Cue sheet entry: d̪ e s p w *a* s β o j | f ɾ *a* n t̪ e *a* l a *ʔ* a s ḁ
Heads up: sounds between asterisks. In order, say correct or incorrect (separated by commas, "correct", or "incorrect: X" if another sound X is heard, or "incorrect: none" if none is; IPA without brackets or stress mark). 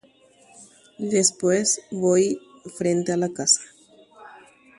incorrect: e, incorrect: e, correct, incorrect: k